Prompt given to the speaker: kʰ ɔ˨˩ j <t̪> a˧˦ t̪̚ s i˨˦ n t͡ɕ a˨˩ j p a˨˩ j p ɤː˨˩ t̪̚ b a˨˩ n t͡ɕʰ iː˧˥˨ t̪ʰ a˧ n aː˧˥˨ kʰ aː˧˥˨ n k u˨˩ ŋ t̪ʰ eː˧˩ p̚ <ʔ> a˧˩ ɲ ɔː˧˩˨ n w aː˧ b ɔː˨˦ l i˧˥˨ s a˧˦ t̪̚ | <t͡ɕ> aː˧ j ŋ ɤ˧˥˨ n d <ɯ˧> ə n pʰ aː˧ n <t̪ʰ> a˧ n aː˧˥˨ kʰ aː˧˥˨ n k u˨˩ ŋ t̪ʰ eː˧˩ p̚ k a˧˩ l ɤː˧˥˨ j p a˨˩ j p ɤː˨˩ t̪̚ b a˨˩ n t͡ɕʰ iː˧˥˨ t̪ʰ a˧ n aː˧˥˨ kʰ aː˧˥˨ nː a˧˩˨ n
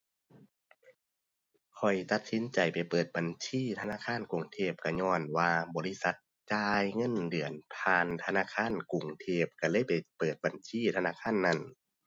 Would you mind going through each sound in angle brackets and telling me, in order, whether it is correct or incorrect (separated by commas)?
correct, incorrect, correct, incorrect, correct